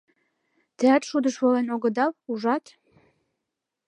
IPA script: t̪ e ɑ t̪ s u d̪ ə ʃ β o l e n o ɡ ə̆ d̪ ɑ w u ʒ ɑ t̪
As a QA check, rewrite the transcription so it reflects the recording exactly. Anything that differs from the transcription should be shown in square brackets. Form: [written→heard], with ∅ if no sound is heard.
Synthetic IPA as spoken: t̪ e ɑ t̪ [s→ʃ] u d̪ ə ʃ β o l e n o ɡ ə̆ d̪ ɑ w u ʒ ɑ t̪